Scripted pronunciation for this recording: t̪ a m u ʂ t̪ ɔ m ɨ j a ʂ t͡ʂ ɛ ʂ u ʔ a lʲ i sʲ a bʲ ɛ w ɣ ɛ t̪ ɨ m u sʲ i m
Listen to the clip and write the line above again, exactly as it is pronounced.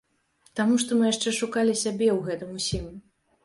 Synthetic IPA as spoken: t̪ a m u ʂ t̪ ɔ m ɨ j a ʂ t͡ʂ ɛ ʂ u k a lʲ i sʲ a bʲ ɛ w ɣ ɛ t̪ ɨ m u sʲ i m